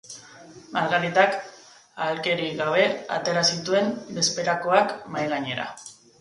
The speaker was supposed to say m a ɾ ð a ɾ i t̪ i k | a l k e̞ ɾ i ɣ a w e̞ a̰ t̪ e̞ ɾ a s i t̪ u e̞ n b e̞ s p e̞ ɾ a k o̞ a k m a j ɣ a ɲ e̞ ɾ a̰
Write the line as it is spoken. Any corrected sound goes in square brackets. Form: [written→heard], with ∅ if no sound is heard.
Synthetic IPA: m a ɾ [ð→ɣ] a ɾ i t̪ [i→a] k | a l k e̞ ɾ i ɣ a [w→β] e̞ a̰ t̪ e̞ ɾ a s i t̪ u e̞ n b e̞ s p e̞ ɾ a k o̞ a k m a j ɣ a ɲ e̞ ɾ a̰